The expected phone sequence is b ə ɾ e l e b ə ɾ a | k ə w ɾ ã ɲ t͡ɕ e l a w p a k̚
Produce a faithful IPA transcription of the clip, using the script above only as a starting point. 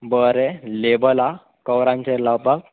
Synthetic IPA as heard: b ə ɾ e l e b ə l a | k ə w ɾ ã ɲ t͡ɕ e l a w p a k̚